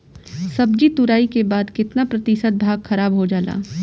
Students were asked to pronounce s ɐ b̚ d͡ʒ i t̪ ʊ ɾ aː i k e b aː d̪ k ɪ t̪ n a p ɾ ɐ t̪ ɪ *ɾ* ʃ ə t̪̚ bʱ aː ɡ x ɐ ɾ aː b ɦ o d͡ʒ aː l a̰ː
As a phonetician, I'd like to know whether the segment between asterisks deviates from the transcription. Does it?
yes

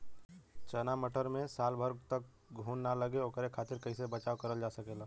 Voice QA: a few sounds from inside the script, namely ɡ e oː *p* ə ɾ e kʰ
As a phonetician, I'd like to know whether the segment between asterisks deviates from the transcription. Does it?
yes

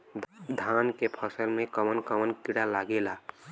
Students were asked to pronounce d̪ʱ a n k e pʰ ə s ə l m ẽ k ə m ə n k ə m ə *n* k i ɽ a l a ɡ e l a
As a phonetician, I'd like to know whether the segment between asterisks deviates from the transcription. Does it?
no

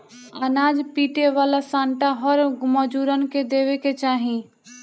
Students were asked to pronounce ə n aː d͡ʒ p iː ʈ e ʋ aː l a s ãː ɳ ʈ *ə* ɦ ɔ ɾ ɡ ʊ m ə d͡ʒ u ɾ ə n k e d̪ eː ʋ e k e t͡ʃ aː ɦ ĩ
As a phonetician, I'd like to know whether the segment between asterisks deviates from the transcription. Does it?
yes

